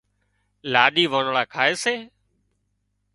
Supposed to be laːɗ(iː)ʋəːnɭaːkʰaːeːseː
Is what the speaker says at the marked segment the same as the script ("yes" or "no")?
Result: yes